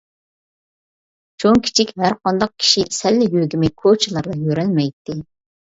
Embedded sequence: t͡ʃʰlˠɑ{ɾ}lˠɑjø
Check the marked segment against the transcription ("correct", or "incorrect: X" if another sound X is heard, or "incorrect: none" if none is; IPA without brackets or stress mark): correct